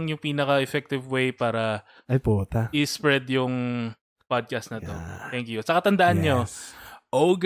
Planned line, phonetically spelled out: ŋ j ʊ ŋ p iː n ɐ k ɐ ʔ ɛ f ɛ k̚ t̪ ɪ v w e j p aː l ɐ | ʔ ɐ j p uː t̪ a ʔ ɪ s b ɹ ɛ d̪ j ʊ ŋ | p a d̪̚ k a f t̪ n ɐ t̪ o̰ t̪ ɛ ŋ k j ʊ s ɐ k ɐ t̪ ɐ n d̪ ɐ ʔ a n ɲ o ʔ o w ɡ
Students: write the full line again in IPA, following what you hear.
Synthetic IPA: ŋ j ʊ ŋ p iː n ɐ k ɐ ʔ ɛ f ɛ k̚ t̪ ɪ v w e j p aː ɾ ɐ | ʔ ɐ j p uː t̪ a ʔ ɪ s p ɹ ɛ d̪ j ʊ ŋ | p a d̪̚ k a s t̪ n ɐ t̪ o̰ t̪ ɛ ŋ k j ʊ s ɐ k ɐ t̪ ɐ n d̪ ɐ ʔ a n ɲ o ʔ o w ɡ